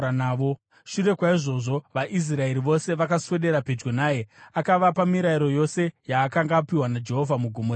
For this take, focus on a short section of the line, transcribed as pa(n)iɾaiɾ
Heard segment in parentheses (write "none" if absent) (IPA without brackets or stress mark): m